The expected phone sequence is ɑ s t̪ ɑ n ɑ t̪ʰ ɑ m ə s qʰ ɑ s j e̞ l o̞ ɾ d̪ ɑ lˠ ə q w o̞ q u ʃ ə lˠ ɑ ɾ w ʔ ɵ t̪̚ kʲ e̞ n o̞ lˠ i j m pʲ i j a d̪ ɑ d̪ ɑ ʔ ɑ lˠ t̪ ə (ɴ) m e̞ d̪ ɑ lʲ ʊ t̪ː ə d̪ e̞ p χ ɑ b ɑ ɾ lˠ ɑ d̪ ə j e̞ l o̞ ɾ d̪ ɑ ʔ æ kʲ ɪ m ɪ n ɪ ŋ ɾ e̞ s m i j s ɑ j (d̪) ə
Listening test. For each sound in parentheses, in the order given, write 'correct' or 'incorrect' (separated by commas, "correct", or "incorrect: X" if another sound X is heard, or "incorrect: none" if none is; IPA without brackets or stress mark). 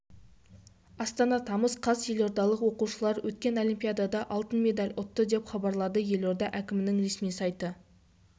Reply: incorrect: n, incorrect: t̪